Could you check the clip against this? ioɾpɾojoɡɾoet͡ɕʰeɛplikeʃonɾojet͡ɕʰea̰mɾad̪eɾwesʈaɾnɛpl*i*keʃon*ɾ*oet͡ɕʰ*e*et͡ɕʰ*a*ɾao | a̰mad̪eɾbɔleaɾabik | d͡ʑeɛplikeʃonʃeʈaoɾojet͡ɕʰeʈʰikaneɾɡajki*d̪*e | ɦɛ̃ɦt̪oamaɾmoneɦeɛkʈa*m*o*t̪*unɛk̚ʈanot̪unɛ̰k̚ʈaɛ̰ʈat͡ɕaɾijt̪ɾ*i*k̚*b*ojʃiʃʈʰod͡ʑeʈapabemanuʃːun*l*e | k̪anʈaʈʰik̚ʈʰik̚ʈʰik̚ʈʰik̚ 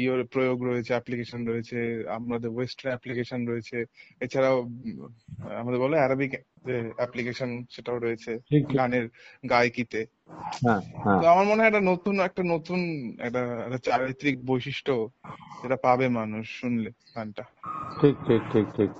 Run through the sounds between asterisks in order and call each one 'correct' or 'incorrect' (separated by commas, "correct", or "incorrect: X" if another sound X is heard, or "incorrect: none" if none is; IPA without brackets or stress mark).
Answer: correct, correct, correct, correct, incorrect: t̪, incorrect: n, correct, correct, correct, correct